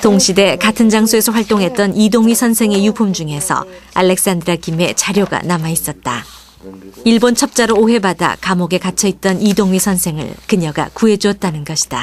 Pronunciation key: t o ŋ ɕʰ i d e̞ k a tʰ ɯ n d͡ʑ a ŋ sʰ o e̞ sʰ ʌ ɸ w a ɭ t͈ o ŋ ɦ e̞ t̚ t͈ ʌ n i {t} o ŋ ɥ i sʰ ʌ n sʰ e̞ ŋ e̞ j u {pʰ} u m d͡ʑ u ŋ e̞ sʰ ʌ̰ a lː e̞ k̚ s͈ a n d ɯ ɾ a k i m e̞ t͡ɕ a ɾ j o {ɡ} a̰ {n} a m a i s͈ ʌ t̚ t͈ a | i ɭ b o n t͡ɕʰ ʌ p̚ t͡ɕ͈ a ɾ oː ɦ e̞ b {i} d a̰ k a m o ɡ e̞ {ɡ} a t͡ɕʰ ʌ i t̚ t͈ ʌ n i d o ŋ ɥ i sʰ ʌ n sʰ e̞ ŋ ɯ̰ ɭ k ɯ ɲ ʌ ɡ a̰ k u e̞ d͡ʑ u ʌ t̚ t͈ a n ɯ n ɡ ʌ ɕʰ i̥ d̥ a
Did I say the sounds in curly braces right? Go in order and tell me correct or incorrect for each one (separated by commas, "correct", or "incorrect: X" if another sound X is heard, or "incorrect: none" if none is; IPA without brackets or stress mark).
incorrect: d, correct, correct, correct, incorrect: a, incorrect: k